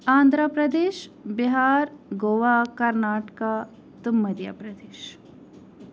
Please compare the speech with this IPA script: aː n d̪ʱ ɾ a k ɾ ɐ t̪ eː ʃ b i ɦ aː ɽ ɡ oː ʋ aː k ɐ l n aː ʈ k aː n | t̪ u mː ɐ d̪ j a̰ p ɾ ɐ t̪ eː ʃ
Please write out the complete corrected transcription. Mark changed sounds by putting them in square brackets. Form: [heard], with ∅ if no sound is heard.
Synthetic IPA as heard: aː n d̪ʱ ɾ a [p] ɾ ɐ [d̪] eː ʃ b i ɦ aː [ɾ] ɡ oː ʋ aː k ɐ [ɾ] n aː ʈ k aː [∅] | t̪ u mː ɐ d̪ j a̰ p ɾ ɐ [d̪] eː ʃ